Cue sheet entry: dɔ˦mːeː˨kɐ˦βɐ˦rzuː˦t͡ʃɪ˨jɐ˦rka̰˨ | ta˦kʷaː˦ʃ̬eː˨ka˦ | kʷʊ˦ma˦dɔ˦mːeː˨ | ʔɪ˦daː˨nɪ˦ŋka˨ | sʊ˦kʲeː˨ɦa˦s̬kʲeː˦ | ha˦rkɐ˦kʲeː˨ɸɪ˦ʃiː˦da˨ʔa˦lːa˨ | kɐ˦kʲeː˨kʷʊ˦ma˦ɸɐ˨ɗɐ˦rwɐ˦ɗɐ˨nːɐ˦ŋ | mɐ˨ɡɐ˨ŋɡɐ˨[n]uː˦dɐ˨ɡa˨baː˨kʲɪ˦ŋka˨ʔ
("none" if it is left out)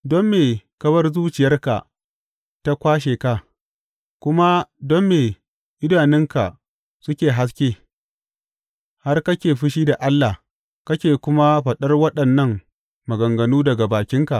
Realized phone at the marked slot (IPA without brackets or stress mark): n